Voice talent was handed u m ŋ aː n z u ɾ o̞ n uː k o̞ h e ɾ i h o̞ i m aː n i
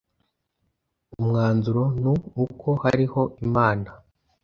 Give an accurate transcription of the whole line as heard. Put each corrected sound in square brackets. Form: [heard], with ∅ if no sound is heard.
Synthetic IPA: u m ŋ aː n z u ɾ o̞ n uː k o̞ h [a] ɾ i h o̞ i m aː n [a]